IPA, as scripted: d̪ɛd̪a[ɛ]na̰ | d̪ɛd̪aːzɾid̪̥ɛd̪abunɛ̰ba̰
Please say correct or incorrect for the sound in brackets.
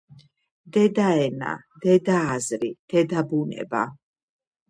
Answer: correct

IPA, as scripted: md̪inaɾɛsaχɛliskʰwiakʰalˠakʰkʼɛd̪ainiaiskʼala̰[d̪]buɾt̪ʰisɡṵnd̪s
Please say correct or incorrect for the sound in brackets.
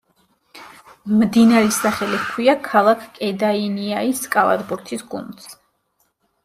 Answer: correct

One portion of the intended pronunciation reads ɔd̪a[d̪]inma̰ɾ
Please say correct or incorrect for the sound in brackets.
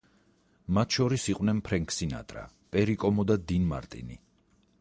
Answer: correct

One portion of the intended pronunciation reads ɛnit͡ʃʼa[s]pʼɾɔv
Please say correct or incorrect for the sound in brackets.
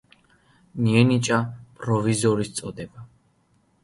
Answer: incorrect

